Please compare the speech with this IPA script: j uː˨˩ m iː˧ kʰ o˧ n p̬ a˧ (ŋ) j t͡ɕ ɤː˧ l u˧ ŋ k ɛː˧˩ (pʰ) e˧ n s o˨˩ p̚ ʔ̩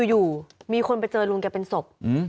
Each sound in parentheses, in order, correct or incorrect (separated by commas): incorrect, incorrect